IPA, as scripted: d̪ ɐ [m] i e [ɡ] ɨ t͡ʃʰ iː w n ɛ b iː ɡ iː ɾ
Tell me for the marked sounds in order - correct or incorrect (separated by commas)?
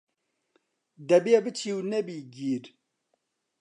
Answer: incorrect, incorrect